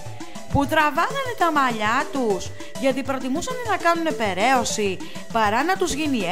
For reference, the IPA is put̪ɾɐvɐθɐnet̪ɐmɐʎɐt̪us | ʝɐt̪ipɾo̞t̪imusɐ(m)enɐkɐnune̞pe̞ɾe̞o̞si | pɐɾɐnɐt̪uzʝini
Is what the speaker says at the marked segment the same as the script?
no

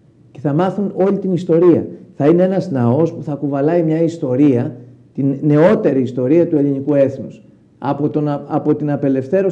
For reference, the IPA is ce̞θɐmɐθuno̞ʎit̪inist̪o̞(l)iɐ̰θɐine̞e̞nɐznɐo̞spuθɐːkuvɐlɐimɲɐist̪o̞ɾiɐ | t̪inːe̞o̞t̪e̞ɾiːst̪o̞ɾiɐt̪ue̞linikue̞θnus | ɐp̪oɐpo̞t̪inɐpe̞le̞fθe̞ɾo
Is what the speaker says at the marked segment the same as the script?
no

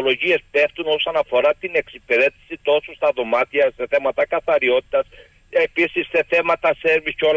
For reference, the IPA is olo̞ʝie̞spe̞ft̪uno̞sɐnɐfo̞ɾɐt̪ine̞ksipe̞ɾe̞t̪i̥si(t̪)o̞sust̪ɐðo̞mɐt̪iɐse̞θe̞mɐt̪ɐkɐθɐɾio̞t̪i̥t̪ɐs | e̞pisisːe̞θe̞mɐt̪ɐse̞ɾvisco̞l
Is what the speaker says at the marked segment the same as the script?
yes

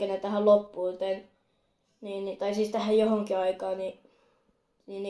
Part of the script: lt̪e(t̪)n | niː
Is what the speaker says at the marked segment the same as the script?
no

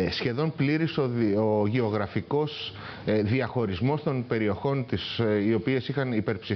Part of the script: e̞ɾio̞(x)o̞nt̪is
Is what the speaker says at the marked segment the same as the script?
yes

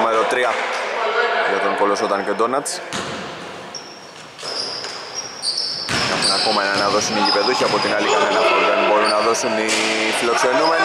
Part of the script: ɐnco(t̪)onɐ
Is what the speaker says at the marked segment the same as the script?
no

